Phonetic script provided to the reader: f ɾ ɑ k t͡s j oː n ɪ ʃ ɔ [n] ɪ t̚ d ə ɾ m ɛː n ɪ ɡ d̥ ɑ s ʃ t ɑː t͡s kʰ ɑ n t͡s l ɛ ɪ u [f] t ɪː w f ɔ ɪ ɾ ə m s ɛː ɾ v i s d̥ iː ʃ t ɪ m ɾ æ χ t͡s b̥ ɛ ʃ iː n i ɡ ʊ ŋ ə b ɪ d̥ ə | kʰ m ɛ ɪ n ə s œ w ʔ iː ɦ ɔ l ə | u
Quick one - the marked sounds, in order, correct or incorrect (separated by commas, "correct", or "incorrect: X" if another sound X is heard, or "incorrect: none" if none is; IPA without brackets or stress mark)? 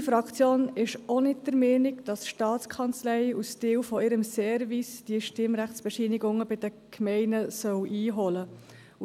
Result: correct, incorrect: s